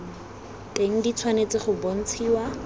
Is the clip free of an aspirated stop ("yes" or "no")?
no